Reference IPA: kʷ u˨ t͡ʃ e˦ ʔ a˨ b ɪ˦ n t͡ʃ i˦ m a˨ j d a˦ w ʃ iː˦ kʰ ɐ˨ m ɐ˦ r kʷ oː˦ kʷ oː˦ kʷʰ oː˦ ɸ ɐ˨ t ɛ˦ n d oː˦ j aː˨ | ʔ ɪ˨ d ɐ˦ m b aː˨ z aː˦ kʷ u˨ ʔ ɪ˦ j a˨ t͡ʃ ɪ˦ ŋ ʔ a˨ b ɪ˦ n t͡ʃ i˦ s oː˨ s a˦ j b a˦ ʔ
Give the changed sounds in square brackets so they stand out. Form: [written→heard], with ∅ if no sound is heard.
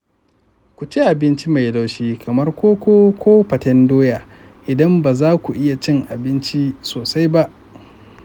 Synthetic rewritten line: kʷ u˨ t͡ʃ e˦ ʔ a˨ b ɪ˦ n t͡ʃ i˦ m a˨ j d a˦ w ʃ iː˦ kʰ ɐ˨ m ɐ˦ r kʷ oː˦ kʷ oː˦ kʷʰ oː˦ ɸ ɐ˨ t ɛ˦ n d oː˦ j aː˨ | ʔ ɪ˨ d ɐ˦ m b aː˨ z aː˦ kʷ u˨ ʔ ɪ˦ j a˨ t͡ʃ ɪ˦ ŋ ʔ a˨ b ɪ˦ n t͡ʃ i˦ s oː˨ s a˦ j b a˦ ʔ